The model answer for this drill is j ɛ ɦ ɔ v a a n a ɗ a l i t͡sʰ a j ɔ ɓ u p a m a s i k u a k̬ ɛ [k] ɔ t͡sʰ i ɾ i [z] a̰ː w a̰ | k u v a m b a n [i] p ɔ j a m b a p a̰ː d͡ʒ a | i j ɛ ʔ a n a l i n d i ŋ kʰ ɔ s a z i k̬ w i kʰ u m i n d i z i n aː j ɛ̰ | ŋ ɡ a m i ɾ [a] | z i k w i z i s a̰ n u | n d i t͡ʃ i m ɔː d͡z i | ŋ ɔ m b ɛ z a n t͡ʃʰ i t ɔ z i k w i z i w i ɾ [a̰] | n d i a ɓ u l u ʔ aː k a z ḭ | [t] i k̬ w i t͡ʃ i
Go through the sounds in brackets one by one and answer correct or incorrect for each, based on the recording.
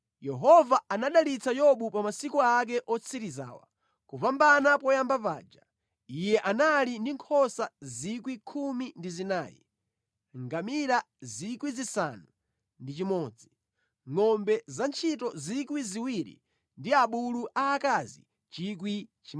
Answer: incorrect: ʔ, correct, incorrect: a, correct, incorrect: ḭ, incorrect: t͡ʃ

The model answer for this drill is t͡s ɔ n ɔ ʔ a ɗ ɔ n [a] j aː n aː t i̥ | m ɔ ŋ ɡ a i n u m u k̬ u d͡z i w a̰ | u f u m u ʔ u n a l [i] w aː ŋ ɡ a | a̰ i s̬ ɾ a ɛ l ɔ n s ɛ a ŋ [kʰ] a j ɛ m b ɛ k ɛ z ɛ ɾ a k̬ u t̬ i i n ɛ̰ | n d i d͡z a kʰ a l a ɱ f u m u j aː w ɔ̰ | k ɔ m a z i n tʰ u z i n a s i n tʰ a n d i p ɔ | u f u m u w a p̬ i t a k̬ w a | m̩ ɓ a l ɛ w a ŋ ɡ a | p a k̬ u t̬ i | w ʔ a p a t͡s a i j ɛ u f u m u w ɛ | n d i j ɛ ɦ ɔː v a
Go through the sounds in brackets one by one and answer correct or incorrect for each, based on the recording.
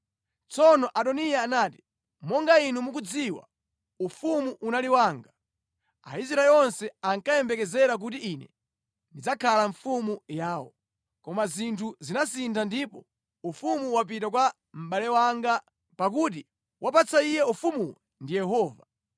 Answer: incorrect: i, correct, incorrect: k

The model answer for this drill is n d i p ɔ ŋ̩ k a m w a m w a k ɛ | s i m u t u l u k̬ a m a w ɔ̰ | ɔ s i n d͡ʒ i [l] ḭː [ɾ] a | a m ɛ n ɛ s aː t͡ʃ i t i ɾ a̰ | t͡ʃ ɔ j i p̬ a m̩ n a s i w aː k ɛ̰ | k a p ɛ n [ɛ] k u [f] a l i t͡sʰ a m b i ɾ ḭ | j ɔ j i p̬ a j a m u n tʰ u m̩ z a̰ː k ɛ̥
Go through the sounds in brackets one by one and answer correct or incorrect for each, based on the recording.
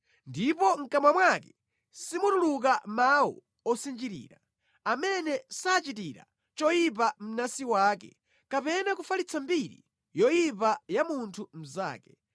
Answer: incorrect: ɾ, correct, incorrect: a, correct

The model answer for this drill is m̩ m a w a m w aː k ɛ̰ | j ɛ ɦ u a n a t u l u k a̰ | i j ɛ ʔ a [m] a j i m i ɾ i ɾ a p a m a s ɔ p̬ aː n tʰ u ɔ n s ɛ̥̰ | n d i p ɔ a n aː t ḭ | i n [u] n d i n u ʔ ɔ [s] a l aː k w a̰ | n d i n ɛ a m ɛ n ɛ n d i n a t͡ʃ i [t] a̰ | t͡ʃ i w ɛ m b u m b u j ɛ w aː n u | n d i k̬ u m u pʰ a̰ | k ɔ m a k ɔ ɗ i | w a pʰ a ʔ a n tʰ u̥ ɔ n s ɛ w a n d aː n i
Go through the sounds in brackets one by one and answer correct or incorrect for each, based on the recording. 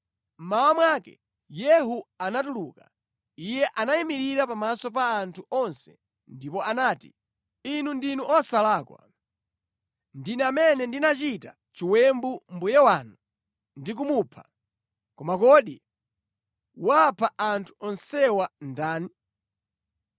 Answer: incorrect: n, correct, correct, correct

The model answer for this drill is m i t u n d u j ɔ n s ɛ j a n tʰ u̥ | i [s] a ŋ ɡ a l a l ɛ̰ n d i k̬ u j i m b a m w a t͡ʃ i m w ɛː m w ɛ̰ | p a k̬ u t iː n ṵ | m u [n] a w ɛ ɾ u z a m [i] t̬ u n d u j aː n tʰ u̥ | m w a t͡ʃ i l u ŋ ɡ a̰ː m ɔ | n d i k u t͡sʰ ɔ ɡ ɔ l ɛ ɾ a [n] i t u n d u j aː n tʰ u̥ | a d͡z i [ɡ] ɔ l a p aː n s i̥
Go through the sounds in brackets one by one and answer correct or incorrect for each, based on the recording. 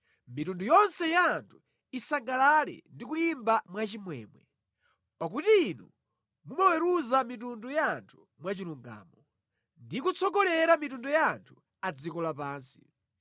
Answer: correct, incorrect: m, correct, incorrect: m, incorrect: k

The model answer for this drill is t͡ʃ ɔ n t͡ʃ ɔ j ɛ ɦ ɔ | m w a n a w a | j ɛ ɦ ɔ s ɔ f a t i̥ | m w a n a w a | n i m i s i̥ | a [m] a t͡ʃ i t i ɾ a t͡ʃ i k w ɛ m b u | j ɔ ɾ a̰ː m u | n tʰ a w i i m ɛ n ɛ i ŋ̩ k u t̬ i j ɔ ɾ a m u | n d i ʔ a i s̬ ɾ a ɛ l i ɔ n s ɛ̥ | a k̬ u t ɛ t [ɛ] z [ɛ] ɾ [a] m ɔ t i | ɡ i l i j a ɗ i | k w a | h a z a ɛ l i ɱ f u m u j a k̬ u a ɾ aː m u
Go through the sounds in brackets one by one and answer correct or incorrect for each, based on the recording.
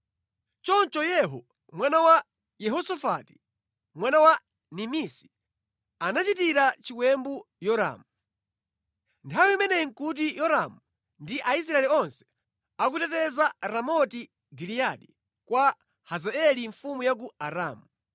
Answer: incorrect: n, correct, incorrect: a, correct

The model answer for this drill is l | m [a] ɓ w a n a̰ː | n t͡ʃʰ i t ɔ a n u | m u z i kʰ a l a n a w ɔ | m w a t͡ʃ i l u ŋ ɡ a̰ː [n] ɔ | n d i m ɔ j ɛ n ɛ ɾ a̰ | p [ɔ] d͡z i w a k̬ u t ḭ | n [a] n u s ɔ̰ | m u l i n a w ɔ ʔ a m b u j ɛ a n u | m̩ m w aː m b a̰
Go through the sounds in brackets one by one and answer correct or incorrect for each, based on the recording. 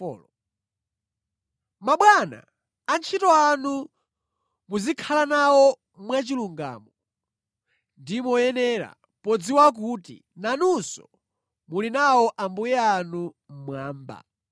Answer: correct, incorrect: m, correct, correct

